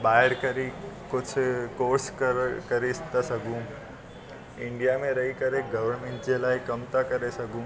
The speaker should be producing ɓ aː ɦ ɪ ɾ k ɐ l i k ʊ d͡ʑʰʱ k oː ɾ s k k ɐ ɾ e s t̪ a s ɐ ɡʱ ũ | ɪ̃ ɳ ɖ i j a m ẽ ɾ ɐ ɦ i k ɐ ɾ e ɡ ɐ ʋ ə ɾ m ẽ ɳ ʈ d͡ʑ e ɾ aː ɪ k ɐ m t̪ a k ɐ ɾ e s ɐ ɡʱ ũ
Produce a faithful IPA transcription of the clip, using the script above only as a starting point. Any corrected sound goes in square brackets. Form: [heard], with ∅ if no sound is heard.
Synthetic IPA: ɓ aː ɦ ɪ ɾ k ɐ [ɾ] i k ʊ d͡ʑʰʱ k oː ɾ s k k ɐ ɾ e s t̪ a s ɐ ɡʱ ũ | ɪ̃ ɳ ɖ i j a m ẽ ɾ ɐ ɦ i k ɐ ɾ e ɡ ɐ ʋ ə ɾ m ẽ ɳ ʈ d͡ʑ e [l] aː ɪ k ɐ m t̪ a k ɐ ɾ e s ɐ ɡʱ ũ